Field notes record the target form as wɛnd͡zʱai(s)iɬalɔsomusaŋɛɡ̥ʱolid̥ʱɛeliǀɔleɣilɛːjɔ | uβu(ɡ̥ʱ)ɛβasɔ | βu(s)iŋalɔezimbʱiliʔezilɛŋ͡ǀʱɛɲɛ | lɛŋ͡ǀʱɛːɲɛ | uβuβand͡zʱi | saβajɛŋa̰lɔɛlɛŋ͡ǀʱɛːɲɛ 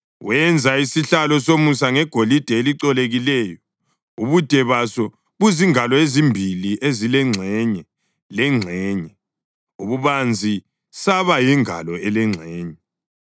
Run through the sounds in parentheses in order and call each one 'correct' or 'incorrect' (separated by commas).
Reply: correct, incorrect, incorrect